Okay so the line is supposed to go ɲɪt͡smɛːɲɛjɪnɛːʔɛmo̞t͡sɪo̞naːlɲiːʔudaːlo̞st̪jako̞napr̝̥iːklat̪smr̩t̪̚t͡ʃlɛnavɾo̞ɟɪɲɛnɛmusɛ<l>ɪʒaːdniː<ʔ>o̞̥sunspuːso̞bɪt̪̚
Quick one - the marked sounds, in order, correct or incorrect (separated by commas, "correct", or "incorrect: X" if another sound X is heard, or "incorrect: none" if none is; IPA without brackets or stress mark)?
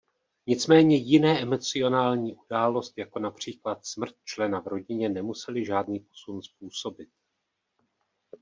correct, incorrect: p